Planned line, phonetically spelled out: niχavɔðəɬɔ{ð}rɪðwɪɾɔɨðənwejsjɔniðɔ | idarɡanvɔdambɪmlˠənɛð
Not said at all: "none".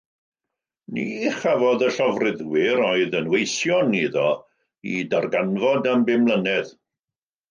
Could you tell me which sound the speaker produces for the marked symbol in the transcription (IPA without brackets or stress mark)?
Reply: v